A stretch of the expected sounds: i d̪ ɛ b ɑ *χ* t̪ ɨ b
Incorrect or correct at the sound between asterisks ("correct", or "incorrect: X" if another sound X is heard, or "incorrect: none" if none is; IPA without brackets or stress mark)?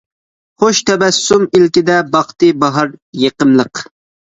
correct